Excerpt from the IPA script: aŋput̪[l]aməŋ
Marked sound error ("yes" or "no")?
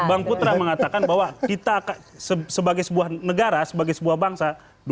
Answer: yes